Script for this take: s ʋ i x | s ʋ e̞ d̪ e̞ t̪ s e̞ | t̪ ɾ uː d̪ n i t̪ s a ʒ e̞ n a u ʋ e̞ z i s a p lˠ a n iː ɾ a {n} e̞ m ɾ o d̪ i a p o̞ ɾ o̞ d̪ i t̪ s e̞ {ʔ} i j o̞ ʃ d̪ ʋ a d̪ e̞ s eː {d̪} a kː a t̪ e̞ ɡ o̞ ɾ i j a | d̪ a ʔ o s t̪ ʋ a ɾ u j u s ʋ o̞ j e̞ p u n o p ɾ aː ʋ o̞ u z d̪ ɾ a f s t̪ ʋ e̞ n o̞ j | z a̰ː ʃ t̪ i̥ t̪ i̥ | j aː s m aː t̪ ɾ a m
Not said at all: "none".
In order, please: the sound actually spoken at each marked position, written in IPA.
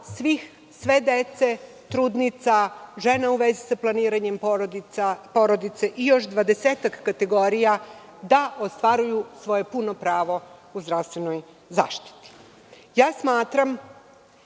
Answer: ɲ, ʔ, t̪

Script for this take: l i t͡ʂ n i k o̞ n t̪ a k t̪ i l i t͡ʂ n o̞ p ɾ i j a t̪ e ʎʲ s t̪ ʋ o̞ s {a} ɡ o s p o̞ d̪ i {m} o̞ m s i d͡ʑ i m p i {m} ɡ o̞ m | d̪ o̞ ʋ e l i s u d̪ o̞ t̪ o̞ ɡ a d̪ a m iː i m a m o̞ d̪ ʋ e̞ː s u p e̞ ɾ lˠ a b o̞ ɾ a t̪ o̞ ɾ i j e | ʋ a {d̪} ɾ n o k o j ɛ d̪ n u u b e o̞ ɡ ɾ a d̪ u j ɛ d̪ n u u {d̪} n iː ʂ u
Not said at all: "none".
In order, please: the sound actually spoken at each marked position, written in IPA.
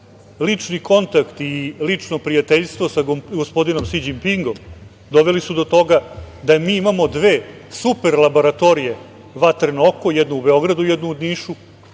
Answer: a, n, ŋ, t̪, d̪

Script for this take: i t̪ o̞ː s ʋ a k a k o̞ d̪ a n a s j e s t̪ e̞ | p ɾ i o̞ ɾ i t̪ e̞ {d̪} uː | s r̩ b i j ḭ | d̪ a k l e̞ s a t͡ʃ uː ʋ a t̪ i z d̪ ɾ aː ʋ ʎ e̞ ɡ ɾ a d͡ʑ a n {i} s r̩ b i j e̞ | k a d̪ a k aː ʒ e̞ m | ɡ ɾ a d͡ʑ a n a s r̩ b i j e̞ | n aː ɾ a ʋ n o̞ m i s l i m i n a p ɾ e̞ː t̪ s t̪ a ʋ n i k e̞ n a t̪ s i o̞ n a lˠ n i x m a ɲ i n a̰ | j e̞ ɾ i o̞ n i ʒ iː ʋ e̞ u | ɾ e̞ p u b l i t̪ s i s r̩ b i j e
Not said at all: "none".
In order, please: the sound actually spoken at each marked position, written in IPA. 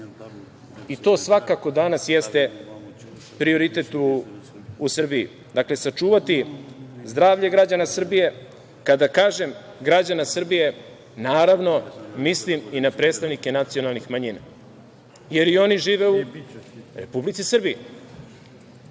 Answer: t̪, a

